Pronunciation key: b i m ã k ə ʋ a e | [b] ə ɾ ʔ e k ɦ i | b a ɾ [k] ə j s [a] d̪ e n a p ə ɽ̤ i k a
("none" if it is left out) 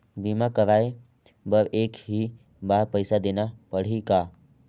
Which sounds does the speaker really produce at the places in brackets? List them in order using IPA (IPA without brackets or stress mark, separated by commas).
b, p, a